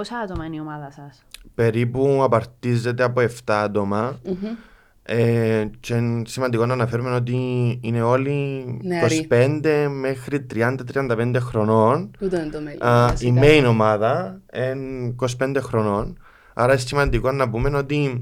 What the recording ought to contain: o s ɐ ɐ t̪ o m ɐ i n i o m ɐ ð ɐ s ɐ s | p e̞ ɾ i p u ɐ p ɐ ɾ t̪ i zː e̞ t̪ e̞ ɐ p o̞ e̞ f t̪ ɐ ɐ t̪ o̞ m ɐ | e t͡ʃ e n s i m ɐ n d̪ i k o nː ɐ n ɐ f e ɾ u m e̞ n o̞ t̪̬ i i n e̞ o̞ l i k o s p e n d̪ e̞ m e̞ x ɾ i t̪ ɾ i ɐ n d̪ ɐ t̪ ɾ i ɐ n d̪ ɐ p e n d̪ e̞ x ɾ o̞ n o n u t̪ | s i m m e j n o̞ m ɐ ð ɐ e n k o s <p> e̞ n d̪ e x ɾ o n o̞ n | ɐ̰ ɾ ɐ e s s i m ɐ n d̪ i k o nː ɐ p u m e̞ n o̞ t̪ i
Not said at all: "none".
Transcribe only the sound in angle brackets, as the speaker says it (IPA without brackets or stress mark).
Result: p